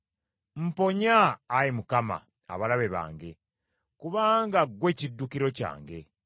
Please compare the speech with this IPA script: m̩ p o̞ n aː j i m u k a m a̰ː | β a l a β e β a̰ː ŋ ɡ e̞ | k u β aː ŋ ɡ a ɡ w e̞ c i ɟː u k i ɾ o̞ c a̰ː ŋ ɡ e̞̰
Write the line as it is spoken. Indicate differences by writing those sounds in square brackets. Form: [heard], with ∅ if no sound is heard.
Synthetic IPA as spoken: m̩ p o̞ [ɲ] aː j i m u k a m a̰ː | β a l a β e β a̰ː ŋ ɡ e̞ | k u β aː ŋ ɡ a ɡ w e̞ c i [dː] u k i ɾ o̞ c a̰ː ŋ ɡ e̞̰